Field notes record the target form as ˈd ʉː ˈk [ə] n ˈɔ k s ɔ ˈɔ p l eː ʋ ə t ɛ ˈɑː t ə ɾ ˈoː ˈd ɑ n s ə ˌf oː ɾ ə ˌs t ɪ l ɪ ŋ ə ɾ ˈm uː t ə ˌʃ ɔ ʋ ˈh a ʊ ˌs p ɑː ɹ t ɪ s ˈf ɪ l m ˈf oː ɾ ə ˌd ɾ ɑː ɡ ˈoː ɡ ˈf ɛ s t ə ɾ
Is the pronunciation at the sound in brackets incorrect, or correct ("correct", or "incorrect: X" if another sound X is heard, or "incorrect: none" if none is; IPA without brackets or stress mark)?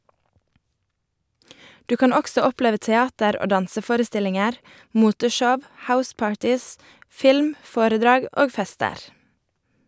incorrect: ɑ